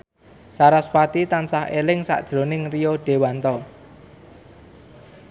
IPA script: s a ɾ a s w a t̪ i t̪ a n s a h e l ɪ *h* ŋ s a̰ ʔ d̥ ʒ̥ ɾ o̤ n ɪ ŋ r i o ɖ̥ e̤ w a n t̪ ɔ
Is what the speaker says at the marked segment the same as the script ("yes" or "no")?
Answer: no